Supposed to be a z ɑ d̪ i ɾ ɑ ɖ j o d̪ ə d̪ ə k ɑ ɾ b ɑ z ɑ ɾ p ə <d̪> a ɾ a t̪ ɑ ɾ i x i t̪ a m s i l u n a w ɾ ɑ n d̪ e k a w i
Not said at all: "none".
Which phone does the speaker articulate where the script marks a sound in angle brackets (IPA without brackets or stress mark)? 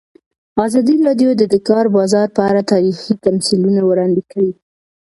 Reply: none